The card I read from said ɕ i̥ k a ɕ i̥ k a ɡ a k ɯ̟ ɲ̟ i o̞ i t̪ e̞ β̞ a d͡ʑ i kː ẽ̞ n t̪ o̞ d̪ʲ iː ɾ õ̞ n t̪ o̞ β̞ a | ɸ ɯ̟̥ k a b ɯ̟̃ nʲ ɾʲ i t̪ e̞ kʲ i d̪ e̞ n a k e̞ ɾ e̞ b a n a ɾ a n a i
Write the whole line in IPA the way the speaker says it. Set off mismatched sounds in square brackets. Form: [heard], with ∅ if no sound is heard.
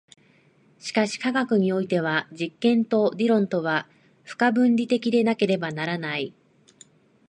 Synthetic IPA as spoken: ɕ i̥ k a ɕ i̥ k a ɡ a k ɯ̟ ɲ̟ i o̞ i t̪ e̞ β̞ a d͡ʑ i kː ẽ̞ n t̪ o̞ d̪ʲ [i] ɾ õ̞ n t̪ o̞ β̞ a | ɸ ɯ̟̥ k a b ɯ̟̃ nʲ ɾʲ i t̪ e̞ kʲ i d̪ e̞ n a k e̞ ɾ e̞ b a n a ɾ a n a i